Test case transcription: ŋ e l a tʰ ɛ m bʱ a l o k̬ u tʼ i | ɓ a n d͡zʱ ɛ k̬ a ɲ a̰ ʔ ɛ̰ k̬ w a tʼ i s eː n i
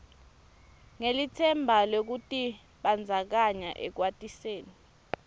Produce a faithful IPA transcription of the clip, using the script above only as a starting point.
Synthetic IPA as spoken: ŋ e l i tʰ ɛ m bʱ a l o k̬ u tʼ i | ɓ a n d͡zʱ a k̬ a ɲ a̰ ʔ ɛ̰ k̬ w a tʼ i s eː n i